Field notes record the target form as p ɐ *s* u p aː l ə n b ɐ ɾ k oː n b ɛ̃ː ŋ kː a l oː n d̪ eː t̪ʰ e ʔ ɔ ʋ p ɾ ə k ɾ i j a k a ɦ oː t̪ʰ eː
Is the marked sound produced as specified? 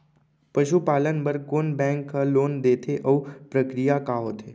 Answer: no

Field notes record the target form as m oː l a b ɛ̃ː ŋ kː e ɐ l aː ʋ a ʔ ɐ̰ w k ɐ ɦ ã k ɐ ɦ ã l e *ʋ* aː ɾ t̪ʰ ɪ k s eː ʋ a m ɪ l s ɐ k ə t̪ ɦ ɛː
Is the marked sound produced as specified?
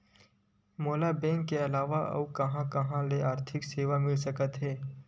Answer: no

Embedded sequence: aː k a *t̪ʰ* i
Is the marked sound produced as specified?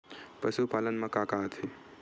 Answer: yes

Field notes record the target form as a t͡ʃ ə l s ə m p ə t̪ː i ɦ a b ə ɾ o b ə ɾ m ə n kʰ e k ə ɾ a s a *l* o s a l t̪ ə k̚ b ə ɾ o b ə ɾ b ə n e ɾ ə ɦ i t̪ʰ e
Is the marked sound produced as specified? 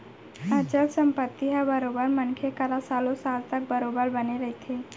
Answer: yes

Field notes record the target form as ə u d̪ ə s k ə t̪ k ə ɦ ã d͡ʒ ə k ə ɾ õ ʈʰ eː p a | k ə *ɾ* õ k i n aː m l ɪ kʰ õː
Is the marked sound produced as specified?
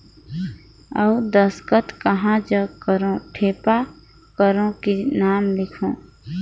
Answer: yes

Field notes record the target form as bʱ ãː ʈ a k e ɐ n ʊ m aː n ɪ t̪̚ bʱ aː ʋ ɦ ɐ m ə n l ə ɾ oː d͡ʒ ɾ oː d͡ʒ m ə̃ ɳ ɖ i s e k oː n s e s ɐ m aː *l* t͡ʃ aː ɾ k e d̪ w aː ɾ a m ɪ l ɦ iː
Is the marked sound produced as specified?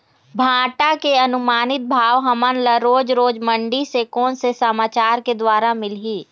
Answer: no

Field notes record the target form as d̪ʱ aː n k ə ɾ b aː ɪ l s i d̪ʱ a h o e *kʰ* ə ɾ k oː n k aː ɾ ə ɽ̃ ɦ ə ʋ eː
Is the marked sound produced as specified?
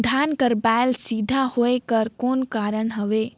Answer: no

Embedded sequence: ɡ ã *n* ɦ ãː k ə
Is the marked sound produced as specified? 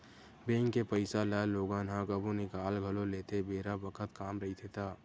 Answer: yes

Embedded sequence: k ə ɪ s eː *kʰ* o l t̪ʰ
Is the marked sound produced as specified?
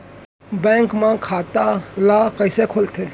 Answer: yes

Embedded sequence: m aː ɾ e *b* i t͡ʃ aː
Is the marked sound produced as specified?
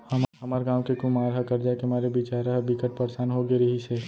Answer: yes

